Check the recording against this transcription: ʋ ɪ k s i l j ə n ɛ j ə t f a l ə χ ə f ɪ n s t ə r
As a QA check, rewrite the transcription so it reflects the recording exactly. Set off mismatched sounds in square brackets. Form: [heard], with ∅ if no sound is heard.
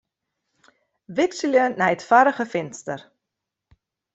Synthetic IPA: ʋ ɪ k s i l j ə n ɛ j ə t f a [ɾ] ə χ ə f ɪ n s t ə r